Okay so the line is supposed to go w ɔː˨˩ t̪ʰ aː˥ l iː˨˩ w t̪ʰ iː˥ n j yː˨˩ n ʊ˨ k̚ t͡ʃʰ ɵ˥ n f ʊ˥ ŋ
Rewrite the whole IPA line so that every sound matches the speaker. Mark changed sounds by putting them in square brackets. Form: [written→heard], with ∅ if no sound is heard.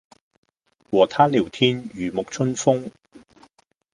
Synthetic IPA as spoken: w ɔː˨˩ t̪ʰ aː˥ l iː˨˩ w t̪ʰ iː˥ n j yː˨˩ [n→m] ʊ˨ k̚ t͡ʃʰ ɵ˥ n f ʊ˥ ŋ